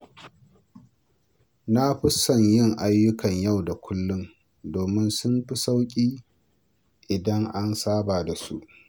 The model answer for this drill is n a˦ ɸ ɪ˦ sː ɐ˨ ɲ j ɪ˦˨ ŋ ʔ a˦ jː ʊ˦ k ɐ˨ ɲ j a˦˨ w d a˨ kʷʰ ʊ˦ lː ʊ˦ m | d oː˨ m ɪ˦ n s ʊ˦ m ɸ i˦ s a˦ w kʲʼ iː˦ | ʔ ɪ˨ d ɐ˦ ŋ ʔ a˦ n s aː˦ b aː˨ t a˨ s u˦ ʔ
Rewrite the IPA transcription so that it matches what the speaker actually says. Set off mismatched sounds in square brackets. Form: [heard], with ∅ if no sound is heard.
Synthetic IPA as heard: n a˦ ɸ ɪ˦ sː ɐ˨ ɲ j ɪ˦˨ ŋ ʔ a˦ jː ʊ˦ k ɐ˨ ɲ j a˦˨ w d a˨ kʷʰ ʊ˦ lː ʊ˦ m | d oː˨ m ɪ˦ n s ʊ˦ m ɸ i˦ s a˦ w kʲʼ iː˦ | ʔ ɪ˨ d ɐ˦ ŋ ʔ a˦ n s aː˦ b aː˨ [d] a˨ s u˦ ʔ

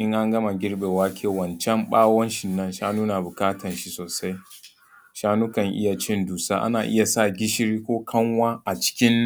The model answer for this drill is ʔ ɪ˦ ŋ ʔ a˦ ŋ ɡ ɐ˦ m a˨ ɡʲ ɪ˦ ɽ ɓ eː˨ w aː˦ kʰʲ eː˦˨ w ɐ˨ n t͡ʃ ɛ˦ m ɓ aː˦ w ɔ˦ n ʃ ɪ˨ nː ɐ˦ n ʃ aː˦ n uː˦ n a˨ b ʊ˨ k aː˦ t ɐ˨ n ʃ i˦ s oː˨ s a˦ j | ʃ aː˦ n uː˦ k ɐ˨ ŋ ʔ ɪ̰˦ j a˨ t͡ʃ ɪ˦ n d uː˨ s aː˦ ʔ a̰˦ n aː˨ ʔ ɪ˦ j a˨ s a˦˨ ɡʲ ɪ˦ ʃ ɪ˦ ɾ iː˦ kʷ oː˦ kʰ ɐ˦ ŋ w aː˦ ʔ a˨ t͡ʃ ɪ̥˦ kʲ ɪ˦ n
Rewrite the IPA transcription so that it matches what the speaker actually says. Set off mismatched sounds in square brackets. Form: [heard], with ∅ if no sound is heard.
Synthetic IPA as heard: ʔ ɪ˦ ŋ ʔ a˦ ŋ ɡ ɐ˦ m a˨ ɡʲ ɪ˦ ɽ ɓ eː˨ w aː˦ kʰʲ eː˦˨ w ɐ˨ n t͡ʃ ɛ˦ m ɓ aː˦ w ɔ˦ n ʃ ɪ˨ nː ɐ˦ n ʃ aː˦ n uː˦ n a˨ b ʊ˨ k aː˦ t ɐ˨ n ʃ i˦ s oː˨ s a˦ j | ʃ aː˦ n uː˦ k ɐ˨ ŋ ʔ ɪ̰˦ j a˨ t͡ʃ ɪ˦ n d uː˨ s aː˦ ʔ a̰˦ n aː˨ ʔ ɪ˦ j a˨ s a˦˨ ɡʲ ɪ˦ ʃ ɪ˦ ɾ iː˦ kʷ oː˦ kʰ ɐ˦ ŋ w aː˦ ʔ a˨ t͡ʃ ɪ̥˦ kʲ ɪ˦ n

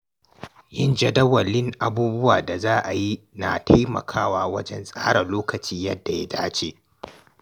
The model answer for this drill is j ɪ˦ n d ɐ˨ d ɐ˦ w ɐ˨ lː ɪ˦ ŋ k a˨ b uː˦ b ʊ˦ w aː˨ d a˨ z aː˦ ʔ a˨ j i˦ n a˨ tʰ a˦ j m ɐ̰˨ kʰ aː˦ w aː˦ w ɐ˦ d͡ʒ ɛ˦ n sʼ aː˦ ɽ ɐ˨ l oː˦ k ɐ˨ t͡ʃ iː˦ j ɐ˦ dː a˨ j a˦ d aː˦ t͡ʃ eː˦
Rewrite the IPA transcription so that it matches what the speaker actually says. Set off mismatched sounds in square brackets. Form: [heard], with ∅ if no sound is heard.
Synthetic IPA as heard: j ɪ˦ n [d͡ʒ] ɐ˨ d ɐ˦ w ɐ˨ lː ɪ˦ ŋ [ʔ] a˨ b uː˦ b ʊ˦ w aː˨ d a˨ z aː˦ ʔ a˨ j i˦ n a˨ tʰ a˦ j m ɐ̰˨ kʰ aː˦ w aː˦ w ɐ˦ d͡ʒ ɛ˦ n sʼ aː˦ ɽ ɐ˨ l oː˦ k ɐ˨ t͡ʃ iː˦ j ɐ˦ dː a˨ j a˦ d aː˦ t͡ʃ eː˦

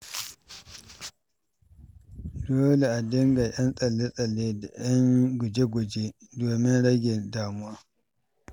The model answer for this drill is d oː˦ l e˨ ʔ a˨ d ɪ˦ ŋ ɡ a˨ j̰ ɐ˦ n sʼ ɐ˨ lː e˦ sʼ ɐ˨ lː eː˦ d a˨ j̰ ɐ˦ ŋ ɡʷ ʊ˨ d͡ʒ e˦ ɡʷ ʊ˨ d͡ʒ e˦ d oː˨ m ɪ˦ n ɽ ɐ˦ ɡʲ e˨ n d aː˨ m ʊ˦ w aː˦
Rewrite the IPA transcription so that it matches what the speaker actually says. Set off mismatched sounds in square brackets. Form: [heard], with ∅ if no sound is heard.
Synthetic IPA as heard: d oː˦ l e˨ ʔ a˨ d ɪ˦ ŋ ɡ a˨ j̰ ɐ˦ n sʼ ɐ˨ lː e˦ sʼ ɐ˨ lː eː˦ d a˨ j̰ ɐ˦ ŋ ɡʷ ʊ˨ d͡ʒ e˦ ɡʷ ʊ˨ d͡ʒ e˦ d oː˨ m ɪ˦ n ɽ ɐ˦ ɡʲ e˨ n d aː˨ m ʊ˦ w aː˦

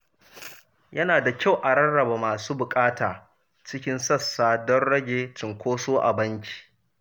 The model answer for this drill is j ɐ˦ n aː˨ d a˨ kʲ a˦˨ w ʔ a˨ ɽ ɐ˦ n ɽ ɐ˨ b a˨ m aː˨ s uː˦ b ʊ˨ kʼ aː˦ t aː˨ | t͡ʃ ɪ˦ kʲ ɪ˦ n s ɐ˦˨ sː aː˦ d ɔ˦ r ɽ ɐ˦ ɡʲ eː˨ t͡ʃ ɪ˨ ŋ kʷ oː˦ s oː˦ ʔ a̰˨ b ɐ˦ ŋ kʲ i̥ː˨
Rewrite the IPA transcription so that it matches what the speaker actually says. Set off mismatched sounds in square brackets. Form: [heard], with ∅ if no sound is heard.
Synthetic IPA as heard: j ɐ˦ n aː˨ d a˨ kʲ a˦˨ w ʔ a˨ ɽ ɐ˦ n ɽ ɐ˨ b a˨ m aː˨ s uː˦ b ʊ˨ kʼ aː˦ t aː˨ | t͡ʃ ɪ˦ kʲ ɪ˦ n s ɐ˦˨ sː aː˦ d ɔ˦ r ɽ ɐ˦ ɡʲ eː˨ t͡ʃ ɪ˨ ŋ kʷ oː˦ s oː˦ ʔ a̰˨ b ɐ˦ ŋ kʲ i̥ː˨

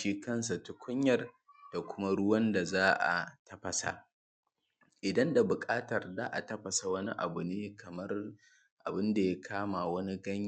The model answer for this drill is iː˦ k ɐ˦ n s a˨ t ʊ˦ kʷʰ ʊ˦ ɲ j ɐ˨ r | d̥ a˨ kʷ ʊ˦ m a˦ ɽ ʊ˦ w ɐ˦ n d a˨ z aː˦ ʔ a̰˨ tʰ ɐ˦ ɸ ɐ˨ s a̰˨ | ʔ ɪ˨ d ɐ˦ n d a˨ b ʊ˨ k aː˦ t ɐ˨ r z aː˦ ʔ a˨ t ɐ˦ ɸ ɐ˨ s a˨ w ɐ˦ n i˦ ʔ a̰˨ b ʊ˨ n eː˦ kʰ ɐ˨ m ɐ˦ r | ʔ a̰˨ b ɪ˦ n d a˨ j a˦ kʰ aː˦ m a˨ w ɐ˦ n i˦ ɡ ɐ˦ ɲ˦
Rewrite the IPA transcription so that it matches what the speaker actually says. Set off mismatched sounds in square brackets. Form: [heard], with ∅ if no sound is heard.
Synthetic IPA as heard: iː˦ k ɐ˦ n s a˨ t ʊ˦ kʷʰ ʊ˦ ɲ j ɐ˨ r | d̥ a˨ kʷ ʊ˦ m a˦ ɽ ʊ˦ w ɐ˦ n d a˨ z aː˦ ʔ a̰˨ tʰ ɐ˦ ɸ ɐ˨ s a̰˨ | ʔ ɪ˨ d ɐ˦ n d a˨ b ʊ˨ [kʼ] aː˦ t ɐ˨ r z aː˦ ʔ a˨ t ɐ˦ ɸ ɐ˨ s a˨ w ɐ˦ n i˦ ʔ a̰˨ b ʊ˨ n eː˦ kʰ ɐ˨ m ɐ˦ r | ʔ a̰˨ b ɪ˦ n d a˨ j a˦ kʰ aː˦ m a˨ w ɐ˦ n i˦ ɡ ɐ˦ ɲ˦

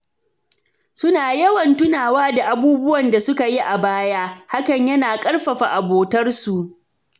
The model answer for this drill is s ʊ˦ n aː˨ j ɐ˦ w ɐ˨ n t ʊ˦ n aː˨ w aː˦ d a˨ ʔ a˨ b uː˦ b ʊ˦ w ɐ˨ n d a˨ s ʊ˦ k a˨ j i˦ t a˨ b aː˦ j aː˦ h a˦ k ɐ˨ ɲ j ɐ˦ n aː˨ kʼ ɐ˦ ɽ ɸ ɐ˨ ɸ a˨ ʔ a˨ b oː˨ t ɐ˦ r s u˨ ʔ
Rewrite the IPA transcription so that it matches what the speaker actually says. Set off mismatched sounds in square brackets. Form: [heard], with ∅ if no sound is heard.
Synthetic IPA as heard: s ʊ˦ n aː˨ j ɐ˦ w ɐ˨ n t ʊ˦ n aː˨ w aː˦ d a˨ ʔ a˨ b uː˦ b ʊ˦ w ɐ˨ n d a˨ s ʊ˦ k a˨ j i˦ [ʔ] a˨ b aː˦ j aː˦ h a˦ k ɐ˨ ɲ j ɐ˦ n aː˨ kʼ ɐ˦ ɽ ɸ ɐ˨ ɸ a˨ ʔ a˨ b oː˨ t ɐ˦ r s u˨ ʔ

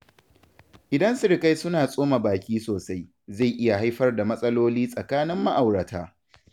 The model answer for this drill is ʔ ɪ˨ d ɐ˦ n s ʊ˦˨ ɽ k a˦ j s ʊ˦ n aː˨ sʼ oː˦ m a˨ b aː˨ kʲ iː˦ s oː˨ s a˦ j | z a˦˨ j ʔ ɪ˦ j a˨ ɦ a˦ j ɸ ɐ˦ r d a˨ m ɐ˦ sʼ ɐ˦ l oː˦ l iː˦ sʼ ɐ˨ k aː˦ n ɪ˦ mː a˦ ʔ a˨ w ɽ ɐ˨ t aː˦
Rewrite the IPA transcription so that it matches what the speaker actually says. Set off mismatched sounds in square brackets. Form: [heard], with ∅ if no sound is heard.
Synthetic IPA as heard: ʔ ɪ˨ d ɐ˦ n s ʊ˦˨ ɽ k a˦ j s ʊ˦ n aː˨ sʼ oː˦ m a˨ b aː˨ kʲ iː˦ s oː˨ s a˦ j | z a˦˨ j ʔ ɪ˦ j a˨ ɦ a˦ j ɸ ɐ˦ r d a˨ m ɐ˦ sʼ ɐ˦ l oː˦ l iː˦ sʼ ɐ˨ k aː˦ n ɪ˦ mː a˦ ʔ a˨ w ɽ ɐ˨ t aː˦

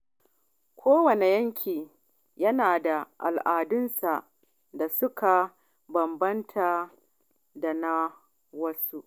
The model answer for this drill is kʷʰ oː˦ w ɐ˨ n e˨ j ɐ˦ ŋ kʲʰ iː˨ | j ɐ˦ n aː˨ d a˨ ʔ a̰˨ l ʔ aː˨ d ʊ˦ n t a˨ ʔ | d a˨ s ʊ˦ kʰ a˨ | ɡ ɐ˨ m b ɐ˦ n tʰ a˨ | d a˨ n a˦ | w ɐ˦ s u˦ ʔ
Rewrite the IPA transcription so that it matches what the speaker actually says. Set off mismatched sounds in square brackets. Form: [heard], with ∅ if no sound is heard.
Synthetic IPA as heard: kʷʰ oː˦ w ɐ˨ n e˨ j ɐ˦ ŋ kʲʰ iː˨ | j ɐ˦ n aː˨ d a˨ ʔ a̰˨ l ʔ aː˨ d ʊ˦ n [s] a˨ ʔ | d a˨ s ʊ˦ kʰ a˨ | [b] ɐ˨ m b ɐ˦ n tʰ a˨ | d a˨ n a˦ | w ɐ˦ s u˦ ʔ

